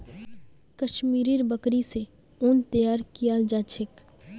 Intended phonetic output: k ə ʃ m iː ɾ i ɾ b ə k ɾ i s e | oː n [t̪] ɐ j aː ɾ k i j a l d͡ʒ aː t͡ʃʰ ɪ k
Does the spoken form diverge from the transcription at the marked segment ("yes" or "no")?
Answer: no